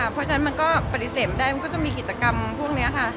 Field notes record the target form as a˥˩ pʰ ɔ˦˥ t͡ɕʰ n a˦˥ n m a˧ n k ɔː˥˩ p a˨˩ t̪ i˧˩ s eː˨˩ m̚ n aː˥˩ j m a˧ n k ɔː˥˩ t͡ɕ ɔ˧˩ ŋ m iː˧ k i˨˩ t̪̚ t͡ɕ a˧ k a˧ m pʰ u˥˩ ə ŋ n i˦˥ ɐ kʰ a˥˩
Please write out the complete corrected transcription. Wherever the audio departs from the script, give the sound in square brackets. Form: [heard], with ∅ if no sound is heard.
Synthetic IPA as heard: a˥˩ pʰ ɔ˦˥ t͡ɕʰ n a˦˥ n m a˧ n k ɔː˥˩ p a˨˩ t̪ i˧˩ s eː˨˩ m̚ [d] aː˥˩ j m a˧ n k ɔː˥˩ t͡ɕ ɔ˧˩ ŋ m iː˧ k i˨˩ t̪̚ t͡ɕ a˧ k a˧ m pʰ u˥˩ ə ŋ n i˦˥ ɐ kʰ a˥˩